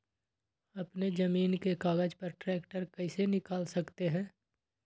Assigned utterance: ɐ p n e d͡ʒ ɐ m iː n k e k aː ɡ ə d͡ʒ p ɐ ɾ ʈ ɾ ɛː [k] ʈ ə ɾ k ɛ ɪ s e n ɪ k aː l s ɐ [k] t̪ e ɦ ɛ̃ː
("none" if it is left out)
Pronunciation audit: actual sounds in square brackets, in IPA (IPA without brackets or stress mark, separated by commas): k, k